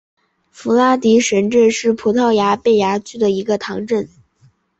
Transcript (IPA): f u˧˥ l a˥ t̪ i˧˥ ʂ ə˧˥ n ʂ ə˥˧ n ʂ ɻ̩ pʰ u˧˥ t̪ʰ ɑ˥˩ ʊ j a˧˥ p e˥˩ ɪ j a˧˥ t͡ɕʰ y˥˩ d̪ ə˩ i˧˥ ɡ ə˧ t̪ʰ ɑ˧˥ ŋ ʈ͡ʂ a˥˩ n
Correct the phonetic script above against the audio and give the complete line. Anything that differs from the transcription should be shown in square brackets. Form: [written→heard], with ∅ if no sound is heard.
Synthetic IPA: f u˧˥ l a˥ t̪ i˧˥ ʂ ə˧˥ n [ʂ→ʈ͡ʂ] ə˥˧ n ʂ ɻ̩ pʰ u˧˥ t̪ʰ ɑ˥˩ ʊ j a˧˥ p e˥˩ ɪ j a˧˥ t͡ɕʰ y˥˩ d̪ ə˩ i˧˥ ɡ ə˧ t̪ʰ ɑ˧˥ ŋ ʈ͡ʂ [a˥˩→ə˥˩] n